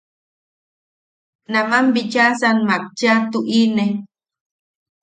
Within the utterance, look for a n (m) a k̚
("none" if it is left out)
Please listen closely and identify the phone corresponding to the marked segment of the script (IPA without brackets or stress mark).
m